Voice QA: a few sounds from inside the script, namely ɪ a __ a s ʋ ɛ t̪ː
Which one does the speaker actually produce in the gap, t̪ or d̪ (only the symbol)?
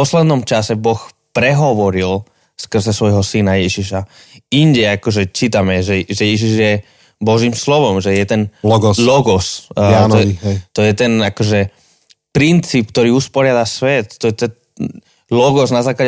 d̪